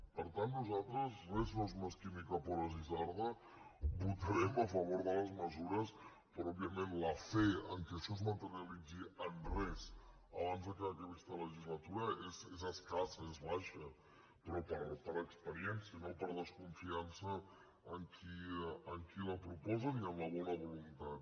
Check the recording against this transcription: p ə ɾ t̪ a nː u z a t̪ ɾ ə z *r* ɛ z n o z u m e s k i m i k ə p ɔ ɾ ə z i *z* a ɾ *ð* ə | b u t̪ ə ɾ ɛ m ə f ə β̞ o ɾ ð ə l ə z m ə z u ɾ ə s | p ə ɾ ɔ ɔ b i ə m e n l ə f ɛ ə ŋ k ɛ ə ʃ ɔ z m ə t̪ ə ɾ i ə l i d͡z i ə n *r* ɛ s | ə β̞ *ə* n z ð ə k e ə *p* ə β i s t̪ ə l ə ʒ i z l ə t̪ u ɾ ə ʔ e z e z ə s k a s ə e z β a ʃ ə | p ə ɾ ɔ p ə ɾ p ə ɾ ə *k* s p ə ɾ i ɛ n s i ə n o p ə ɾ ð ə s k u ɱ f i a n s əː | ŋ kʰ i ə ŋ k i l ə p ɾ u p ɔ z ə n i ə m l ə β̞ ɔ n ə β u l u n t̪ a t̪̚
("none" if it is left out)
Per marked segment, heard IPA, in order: r, z, ð, r, a, k, k

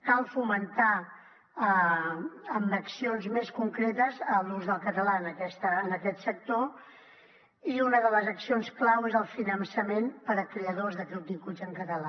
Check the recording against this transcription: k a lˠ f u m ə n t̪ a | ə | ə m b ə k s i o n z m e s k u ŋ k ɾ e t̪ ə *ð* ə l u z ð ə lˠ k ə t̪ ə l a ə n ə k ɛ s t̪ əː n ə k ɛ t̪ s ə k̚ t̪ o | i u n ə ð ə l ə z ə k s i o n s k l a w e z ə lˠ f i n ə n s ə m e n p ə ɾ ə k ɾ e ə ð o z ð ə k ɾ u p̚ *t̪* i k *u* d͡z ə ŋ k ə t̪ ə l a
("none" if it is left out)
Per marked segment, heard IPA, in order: z, d̪, u

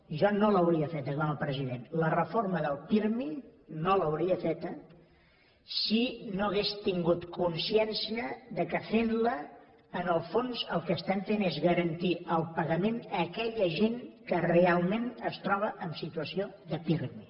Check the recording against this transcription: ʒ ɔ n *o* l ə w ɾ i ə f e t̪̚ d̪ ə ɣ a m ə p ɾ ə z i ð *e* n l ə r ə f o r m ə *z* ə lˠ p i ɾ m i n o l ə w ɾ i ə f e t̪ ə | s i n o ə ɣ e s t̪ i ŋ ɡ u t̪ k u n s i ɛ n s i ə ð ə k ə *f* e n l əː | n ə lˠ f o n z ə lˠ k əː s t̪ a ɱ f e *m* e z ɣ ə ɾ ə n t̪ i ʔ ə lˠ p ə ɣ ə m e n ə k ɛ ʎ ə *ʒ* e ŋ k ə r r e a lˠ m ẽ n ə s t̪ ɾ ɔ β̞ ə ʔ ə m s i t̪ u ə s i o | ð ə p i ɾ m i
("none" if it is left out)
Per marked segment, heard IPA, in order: o, e, ð, f, n, ʒ

